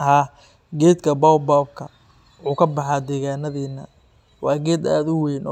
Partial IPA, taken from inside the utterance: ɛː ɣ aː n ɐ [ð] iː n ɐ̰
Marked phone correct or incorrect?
correct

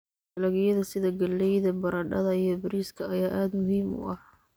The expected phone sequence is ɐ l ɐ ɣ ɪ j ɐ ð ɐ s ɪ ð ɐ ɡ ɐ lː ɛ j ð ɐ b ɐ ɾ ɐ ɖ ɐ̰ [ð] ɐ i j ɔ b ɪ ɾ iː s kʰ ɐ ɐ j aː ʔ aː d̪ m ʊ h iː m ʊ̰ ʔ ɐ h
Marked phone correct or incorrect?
correct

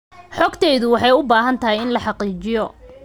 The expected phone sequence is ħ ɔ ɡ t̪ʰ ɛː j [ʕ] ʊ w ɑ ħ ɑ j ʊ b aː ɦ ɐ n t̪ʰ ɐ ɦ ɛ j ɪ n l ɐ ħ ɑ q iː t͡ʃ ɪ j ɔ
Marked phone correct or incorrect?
incorrect: ð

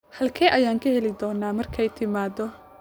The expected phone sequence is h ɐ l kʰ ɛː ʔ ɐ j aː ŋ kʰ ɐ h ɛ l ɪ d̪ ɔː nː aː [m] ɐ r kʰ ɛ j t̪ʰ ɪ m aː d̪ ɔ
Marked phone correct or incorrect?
correct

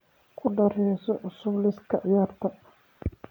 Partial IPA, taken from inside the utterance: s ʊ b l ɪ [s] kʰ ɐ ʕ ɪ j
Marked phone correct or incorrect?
correct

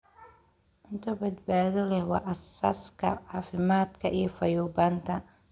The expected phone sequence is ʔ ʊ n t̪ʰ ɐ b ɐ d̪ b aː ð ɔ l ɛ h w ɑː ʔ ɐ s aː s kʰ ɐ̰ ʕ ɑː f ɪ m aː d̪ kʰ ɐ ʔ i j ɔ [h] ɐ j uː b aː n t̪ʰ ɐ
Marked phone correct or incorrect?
incorrect: f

